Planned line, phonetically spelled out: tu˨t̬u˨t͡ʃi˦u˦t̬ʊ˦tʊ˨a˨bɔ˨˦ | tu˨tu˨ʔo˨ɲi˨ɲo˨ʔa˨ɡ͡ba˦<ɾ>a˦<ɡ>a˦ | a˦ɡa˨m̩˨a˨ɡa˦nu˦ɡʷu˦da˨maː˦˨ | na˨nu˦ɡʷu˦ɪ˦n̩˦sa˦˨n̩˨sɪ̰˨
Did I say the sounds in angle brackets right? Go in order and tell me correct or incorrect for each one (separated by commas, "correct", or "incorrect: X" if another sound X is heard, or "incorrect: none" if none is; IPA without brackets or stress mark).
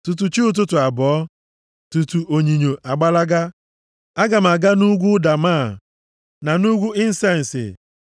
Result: incorrect: l, correct